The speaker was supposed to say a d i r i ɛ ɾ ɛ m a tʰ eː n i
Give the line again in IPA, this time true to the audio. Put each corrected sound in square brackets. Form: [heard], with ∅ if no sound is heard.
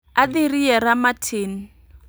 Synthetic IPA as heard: a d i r i ɛ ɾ [a] m a tʰ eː n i